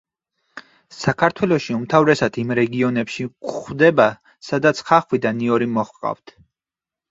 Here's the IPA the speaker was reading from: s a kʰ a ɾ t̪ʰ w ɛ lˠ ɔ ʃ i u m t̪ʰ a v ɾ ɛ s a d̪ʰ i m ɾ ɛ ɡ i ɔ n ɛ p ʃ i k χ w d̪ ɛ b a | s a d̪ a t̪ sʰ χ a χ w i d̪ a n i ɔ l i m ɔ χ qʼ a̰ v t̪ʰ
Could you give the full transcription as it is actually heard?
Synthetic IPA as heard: s a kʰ a ɾ t̪ʰ w ɛ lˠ ɔ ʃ i u m t̪ʰ a v ɾ ɛ s a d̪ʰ i m ɾ ɛ ɡ i ɔ n ɛ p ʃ i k χ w d̪ ɛ b a | s a d̪ a t̪ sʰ χ a χ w i d̪ a n i ɔ ɾ i m ɔ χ qʼ a̰ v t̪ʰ